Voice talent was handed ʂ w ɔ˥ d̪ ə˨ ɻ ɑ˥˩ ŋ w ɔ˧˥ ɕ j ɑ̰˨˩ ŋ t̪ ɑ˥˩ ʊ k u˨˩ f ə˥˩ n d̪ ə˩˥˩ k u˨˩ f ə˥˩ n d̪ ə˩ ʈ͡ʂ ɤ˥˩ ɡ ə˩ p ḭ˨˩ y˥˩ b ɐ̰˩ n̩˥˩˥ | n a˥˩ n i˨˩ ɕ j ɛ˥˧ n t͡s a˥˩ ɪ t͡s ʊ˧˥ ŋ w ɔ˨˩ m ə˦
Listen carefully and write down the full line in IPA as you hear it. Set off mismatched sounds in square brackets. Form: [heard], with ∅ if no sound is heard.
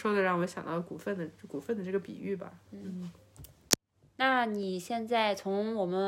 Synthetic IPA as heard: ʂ w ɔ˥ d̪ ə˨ ɻ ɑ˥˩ ŋ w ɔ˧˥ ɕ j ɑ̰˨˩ ŋ t̪ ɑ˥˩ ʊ k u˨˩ f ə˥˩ n d̪ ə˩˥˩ k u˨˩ f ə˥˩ n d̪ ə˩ ʈ͡ʂ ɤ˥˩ ɡ ə˩ p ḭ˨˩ y˥˩ b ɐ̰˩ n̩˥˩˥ | n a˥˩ n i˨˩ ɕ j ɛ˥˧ n t͡s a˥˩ ɪ [t͡sʰ] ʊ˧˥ ŋ w ɔ˨˩ m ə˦